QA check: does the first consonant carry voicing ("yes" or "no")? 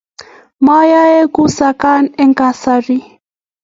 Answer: yes